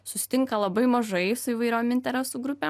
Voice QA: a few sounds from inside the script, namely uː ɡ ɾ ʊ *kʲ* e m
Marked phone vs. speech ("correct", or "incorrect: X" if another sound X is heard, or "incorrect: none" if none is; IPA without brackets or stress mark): incorrect: pʲ